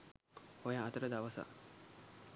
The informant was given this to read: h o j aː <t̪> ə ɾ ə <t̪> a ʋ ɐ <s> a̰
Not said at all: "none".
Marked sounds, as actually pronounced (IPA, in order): t̪, d̪, s

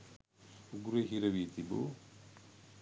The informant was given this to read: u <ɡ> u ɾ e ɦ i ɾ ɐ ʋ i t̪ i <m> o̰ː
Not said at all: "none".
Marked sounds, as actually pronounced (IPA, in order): ɡ, b

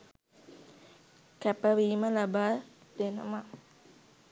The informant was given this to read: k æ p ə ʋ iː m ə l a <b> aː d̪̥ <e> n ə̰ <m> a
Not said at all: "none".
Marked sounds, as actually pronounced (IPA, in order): b, e, m

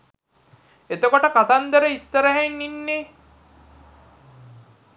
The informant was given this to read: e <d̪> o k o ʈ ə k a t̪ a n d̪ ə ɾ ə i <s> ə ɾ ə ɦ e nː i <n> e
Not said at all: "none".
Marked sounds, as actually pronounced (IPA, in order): t̪, sː, nː

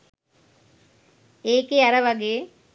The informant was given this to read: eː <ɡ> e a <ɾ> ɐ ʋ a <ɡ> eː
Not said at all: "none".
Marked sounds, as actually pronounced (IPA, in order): k, ɾ, ɡ

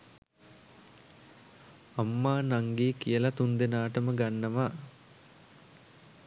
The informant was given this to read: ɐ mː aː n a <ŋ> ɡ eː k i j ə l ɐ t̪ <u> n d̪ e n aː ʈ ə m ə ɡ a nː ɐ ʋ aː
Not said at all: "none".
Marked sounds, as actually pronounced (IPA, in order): ŋ, u

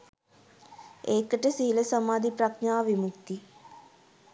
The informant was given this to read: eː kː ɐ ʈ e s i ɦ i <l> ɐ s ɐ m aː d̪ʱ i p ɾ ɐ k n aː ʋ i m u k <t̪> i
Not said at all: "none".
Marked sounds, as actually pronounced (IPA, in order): l, t̪

